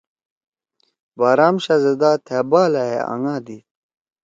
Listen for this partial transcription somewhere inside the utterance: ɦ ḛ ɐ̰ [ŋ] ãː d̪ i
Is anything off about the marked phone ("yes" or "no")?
no